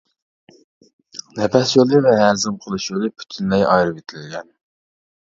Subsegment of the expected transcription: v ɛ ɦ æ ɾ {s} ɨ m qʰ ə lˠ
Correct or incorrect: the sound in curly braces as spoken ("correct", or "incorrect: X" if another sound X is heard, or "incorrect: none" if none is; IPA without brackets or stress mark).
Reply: incorrect: z